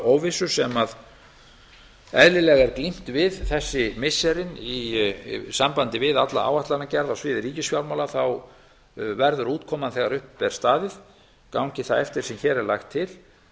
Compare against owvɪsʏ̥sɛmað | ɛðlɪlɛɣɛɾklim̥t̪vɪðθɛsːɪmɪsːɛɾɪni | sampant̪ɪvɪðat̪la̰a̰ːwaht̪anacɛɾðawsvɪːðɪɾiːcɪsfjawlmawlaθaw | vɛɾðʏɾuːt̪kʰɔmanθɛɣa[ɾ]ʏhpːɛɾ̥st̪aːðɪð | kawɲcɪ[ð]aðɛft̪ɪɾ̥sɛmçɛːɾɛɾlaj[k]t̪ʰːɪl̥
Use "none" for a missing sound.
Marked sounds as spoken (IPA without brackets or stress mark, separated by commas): ɾ, θ, x